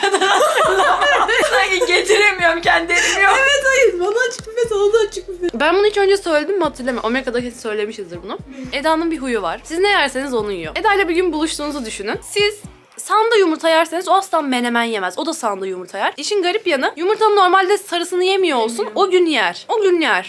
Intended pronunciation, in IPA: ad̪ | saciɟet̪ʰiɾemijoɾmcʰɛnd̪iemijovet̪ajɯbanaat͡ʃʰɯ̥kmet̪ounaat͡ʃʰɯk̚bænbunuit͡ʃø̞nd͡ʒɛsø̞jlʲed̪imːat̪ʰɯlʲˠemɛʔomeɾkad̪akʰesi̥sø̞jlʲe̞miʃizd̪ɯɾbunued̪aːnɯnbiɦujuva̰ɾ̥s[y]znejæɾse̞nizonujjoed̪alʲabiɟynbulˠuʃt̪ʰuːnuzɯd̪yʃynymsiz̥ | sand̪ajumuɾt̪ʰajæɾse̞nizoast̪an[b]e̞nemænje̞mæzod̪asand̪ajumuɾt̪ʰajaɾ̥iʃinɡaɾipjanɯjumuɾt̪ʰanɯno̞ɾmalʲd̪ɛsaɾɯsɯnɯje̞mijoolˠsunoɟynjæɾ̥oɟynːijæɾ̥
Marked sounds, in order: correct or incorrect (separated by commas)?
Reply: incorrect, incorrect